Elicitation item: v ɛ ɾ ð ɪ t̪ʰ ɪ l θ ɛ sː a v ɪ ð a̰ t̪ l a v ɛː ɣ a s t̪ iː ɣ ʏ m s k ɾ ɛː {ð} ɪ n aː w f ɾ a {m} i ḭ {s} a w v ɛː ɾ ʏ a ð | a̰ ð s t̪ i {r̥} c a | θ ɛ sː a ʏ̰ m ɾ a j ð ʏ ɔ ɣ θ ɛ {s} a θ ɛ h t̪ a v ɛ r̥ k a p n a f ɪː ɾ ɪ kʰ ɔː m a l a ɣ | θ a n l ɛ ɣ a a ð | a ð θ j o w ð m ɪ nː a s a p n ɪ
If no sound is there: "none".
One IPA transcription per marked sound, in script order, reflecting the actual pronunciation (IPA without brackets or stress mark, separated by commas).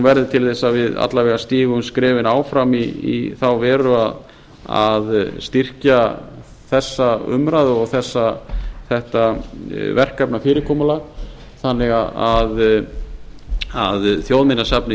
v, m, θ, r̥, sː